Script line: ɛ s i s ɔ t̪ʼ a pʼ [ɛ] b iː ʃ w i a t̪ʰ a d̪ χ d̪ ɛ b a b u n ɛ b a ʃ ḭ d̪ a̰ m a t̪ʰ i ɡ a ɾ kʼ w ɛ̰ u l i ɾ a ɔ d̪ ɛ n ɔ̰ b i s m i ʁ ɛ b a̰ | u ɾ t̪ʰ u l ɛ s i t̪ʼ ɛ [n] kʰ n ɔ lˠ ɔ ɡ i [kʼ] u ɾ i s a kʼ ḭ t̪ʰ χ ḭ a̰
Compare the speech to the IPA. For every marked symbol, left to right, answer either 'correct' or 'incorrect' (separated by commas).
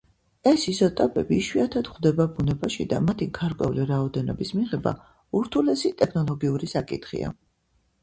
correct, incorrect, incorrect